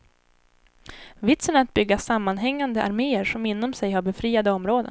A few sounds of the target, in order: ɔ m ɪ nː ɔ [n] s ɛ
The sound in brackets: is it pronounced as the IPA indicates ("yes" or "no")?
no